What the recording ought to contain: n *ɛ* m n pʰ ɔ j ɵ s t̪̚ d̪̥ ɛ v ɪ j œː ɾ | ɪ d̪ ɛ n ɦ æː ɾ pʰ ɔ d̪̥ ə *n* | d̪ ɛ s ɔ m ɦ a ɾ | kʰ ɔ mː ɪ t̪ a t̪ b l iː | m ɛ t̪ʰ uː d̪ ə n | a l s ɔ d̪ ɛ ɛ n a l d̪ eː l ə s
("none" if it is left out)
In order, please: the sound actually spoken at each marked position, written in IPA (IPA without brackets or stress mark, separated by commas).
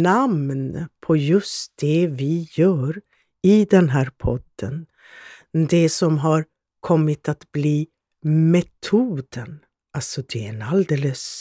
a, n